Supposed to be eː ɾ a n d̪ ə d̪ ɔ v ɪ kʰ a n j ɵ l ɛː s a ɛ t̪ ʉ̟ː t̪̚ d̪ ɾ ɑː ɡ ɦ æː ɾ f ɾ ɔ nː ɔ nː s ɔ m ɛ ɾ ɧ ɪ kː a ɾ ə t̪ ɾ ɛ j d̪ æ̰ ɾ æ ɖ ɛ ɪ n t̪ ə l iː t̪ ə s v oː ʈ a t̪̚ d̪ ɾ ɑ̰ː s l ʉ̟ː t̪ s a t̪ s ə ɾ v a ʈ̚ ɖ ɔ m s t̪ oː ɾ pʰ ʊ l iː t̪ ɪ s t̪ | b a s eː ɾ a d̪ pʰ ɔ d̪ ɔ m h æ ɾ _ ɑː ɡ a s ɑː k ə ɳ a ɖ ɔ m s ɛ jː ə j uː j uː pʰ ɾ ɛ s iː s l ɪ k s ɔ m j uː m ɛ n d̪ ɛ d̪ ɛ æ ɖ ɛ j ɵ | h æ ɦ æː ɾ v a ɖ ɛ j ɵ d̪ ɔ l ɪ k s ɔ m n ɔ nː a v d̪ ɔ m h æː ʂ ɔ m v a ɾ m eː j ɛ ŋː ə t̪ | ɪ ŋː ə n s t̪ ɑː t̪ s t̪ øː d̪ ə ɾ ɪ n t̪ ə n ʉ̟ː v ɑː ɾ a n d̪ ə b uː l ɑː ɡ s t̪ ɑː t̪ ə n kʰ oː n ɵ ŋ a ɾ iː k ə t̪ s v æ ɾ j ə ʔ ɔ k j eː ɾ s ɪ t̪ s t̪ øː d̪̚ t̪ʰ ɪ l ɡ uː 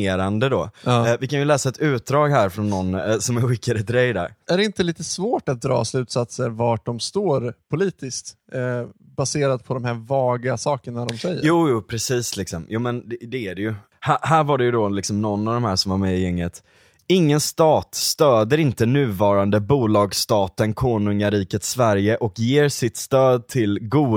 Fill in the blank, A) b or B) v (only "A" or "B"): B